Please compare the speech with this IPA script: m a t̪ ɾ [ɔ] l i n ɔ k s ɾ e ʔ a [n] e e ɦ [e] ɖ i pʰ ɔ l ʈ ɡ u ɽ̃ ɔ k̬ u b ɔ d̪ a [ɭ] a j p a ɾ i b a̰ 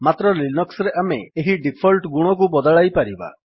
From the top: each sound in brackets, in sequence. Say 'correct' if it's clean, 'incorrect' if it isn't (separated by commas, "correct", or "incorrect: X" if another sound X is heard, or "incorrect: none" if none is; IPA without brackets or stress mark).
correct, incorrect: m, incorrect: i, correct